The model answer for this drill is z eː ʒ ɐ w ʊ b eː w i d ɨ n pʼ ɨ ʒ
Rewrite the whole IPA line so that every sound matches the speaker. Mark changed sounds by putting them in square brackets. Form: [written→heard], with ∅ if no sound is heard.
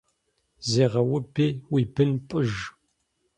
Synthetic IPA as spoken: z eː [ʒ→ʁ] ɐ w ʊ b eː w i [d→b] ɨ n pʼ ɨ ʒ